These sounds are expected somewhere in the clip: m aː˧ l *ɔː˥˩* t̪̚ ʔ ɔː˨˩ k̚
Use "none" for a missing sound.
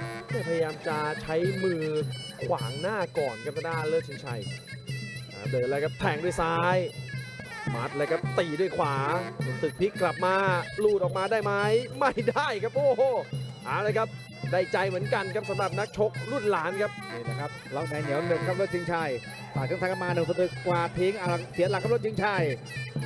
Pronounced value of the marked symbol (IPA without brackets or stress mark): uː˥˩